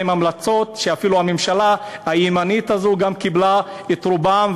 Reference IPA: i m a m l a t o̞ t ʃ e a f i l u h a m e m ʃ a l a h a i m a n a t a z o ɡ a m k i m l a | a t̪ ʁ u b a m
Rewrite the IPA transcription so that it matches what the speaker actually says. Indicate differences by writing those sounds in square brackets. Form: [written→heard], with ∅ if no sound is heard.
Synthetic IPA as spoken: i m a m l a [t→t͡s] o̞ t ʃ e a f i l u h a m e m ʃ a l a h a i m a n [a→i] t a z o ɡ a m k i [m→b] l a | [a→e] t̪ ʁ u b a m

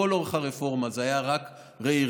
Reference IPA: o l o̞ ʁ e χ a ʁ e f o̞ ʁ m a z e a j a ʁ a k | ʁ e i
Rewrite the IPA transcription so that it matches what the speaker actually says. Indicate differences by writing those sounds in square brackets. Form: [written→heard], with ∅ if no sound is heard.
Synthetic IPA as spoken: o l o̞ ʁ e χ a ʁ e f o̞ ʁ m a z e a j a ʁ a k | ʁ e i

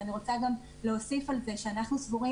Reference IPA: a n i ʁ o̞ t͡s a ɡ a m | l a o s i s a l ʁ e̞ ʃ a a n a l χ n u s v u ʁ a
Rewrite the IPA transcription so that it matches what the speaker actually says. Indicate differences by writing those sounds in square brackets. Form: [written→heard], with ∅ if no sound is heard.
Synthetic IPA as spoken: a n i ʁ o̞ t͡s a ɡ a m | l [a→e] o s i [s→f] a l [ʁ→z] e̞ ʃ [a→e] a n a [l→∅] χ n u s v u ʁ [a→i]

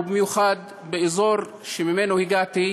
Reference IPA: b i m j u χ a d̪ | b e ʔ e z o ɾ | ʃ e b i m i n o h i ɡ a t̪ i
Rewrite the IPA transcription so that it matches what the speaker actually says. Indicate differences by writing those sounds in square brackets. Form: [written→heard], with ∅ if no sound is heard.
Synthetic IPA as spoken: b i m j u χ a d̪ | b e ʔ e z o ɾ | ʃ e [b→m] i m [i→e] n o h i ɡ a t̪ i

